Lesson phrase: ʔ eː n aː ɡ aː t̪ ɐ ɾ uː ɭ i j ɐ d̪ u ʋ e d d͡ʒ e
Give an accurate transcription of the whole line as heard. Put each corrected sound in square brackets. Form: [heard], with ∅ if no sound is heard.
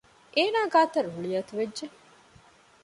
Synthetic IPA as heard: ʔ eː n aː ɡ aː t̪ ɐ ɾ [u] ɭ i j ɐ [t̪] u ʋ e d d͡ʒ e